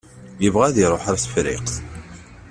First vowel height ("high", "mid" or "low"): mid